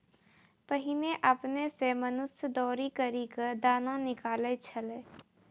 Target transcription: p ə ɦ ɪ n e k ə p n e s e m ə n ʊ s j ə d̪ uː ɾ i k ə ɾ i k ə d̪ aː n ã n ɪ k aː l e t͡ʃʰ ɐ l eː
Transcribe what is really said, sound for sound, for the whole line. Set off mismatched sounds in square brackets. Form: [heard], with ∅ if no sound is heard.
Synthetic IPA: p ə ɦ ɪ n e [ʔ] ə p n e s e m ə n ʊ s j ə d̪ [ɔː] ɾ i k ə ɾ i k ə d̪ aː n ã n ɪ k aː l e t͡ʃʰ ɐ l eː